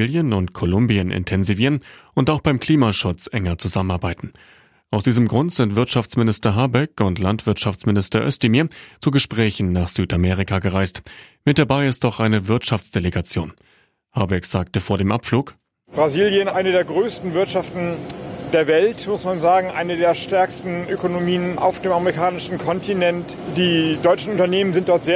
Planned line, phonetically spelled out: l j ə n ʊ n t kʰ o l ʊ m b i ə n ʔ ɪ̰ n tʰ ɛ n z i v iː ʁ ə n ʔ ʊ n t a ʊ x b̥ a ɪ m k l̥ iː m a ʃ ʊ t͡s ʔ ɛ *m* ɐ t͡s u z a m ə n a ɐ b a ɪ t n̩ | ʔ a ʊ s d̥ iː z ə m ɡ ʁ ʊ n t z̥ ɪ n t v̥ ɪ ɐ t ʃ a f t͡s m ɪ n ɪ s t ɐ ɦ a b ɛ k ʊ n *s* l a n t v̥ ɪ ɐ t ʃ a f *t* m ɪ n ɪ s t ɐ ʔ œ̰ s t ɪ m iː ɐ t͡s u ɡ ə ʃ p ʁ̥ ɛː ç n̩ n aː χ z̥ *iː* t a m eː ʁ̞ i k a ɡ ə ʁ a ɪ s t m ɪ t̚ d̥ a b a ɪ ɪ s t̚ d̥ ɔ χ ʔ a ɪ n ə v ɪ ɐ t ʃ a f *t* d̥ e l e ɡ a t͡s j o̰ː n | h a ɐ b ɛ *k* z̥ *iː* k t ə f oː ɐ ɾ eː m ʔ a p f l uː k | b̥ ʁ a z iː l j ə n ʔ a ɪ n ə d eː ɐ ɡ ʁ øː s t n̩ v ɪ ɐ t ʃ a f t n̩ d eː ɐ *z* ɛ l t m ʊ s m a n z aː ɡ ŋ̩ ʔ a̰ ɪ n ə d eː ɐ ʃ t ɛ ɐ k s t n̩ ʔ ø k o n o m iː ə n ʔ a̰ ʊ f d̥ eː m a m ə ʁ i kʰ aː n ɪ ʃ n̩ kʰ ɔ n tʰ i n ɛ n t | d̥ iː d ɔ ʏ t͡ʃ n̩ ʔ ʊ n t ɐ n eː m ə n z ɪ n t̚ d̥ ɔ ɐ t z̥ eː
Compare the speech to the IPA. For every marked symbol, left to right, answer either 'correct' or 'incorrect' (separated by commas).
incorrect, incorrect, incorrect, incorrect, incorrect, correct, incorrect, incorrect